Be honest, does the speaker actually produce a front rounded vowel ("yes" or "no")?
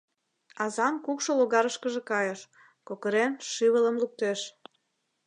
no